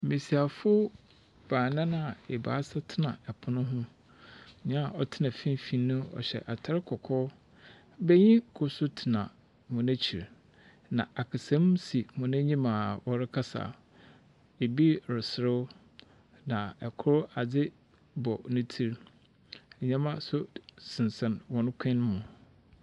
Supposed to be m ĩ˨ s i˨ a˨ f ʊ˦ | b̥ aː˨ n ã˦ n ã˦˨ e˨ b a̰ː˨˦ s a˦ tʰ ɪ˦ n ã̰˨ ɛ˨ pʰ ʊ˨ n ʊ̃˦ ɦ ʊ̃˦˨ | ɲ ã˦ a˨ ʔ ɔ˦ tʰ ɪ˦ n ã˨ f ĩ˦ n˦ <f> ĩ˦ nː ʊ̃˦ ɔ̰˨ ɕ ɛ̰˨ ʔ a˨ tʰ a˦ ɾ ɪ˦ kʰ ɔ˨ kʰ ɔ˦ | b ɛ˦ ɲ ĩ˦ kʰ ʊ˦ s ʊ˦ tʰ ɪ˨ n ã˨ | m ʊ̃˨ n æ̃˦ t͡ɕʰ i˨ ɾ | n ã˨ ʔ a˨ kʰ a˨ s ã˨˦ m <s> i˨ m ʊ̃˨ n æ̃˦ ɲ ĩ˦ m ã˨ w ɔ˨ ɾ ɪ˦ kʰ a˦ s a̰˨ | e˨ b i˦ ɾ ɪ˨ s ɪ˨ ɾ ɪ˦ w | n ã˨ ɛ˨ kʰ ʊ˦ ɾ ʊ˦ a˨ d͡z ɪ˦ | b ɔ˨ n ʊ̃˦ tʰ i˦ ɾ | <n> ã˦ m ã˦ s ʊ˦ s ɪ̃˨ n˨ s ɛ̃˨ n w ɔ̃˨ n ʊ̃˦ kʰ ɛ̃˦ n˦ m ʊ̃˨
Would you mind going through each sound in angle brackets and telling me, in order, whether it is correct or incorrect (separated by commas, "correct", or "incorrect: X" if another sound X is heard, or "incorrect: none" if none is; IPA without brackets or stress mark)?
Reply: correct, correct, incorrect: ɲ